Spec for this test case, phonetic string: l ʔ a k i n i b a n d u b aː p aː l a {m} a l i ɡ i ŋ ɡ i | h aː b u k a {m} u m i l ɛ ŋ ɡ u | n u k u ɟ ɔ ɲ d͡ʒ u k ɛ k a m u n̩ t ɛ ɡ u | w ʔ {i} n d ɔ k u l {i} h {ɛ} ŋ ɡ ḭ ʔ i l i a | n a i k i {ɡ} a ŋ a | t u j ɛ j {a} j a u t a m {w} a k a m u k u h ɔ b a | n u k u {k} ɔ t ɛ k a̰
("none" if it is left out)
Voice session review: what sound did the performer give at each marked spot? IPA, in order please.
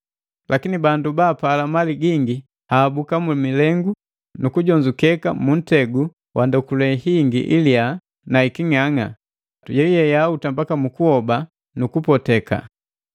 m, m, a, ɛ, i, ŋ, ɛ, b, p

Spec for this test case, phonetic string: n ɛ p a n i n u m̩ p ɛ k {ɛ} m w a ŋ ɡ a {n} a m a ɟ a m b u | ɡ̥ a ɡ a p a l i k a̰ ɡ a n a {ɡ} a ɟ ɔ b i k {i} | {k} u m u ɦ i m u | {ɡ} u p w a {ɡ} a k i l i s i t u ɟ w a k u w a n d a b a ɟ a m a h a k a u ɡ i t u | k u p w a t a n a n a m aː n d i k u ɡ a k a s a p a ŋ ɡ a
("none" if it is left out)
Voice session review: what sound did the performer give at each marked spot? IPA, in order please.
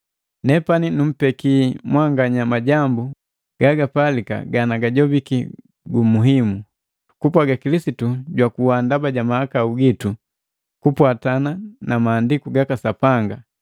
i, ɲ, ɡ, i, ɡ, k, ɡ

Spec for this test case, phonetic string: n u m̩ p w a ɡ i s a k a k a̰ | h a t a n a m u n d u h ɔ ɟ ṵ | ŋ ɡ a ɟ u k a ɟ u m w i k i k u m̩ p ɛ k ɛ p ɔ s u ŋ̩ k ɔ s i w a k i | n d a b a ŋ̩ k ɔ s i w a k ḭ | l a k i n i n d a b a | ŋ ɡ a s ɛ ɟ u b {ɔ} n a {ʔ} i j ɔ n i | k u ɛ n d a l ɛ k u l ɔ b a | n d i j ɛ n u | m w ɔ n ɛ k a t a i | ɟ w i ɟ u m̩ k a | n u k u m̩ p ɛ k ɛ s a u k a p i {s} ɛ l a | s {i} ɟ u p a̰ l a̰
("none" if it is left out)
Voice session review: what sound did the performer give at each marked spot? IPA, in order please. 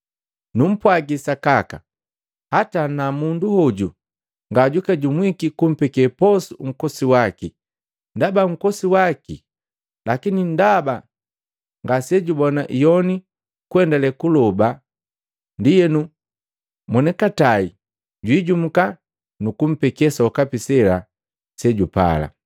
ɔ, ʔ, s, ɛ

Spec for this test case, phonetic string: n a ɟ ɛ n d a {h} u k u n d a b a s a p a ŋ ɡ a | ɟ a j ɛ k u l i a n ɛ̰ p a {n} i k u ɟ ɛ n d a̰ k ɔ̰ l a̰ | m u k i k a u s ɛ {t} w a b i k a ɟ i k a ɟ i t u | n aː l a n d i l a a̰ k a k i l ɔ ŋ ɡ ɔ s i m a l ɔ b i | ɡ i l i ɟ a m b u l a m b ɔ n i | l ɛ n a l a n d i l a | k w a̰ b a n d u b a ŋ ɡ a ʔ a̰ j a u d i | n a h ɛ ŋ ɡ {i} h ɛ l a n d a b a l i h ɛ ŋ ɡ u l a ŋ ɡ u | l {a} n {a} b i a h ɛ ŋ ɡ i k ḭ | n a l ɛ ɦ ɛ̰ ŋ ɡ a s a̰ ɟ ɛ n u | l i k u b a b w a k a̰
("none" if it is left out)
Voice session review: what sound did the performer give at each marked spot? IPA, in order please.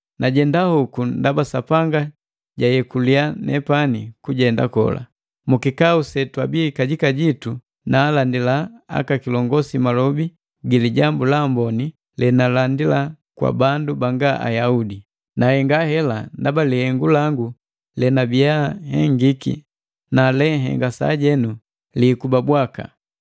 h, n, t, a, ɛ, a

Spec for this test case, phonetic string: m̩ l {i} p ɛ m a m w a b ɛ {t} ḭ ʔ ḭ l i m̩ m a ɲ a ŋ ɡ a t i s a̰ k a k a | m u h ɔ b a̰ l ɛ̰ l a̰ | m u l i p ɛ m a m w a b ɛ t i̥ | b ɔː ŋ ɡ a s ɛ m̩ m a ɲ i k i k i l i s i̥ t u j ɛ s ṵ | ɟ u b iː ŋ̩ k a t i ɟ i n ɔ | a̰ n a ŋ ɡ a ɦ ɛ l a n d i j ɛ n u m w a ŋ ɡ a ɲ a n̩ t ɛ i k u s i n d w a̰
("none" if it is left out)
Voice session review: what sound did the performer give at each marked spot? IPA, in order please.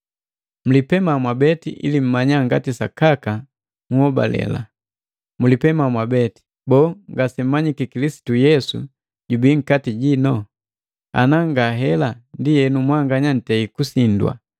i, t

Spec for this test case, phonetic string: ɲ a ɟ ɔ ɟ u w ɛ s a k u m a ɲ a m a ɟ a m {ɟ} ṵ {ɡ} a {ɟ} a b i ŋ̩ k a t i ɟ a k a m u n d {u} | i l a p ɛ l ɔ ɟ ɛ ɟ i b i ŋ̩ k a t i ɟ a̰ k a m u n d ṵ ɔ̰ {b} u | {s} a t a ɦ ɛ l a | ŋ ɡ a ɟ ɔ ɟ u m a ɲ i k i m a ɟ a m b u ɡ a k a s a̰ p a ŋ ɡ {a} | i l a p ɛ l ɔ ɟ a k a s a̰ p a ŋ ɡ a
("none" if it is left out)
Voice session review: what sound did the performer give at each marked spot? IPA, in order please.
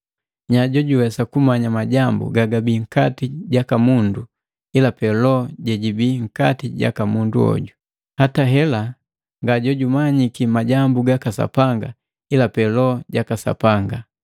b, ɡ, ɡ, u, ɟ, h, a

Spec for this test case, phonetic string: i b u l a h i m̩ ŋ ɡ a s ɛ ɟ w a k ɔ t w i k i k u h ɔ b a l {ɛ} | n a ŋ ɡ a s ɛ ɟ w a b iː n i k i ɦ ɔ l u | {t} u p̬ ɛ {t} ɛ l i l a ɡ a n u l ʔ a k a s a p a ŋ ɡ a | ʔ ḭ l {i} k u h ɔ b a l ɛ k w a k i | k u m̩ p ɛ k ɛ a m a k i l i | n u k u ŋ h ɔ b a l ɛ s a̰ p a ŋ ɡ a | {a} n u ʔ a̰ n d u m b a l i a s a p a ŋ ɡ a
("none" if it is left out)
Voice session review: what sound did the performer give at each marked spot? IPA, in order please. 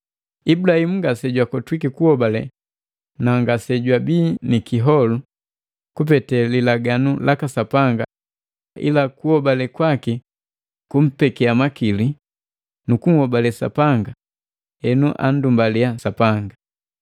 ɛ, k, t, a, ɛ

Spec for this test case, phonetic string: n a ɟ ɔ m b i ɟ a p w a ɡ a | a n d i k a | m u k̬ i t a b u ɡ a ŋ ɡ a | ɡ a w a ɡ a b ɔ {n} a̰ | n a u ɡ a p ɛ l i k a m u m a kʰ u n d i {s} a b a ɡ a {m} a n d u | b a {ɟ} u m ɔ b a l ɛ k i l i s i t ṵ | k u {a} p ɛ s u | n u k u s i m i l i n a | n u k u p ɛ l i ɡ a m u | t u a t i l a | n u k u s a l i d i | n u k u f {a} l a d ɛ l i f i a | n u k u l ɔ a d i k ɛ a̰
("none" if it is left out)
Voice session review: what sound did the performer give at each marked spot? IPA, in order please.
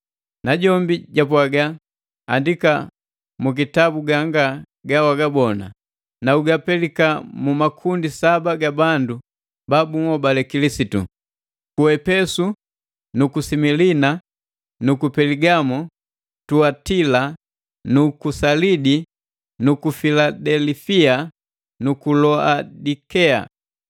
n, s, b, b, ɛ, i

